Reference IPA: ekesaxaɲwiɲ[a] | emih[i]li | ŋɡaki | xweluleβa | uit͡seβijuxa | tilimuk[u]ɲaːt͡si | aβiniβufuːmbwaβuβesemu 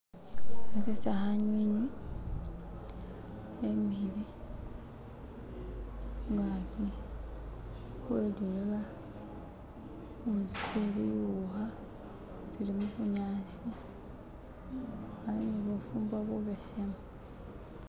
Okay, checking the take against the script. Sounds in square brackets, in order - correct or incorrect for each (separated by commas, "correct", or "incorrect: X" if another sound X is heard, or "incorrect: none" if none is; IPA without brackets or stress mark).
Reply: incorrect: i, correct, correct